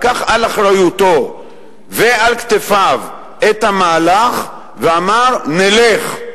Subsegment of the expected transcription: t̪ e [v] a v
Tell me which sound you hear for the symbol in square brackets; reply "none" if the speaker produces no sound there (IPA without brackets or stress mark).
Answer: f